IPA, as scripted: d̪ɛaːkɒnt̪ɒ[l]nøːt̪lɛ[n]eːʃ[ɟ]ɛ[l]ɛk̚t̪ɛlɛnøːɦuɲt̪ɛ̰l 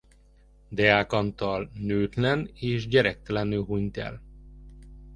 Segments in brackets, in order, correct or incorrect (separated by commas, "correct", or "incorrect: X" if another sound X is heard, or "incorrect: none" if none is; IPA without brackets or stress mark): correct, correct, correct, incorrect: ɾ